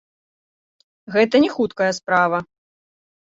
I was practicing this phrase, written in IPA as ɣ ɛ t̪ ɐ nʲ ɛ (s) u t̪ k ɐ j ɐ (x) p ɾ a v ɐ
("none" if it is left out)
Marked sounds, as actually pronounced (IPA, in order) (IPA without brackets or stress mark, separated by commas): x, s